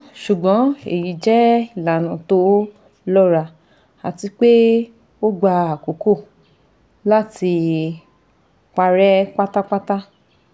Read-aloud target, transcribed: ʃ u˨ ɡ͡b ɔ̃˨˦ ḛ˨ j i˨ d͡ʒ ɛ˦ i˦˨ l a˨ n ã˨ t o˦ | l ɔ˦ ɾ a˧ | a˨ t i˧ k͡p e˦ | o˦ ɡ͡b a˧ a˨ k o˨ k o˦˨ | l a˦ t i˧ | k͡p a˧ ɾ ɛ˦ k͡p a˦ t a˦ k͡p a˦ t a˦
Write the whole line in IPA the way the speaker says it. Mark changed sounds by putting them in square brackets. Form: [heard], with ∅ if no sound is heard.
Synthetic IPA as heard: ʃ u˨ ɡ͡b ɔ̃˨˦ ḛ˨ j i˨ d͡ʒ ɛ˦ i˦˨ l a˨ n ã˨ t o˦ | l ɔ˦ ɾ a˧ | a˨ t i˧ k͡p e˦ | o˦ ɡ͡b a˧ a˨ k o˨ k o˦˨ | l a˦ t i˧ | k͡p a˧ ɾ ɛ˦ k͡p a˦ t a˦ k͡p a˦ t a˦